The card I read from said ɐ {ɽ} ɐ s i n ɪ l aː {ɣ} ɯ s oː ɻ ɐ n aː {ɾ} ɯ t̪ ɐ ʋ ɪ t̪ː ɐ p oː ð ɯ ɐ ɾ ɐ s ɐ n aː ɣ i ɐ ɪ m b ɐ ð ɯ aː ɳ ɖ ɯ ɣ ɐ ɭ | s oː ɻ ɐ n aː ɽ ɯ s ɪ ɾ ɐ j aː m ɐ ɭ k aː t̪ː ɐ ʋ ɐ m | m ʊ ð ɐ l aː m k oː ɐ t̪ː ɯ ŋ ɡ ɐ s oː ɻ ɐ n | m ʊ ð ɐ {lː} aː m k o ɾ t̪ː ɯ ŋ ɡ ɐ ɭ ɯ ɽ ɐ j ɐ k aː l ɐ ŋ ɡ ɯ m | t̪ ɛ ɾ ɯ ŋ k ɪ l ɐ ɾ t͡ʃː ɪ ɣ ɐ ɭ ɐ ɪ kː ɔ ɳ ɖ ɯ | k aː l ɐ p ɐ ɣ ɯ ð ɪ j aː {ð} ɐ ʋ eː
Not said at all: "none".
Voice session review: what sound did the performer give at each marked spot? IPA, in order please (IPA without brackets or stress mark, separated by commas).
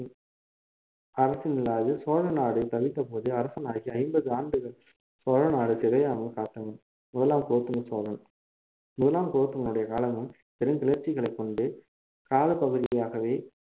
ɾ, ð, ɽ, l, ɣ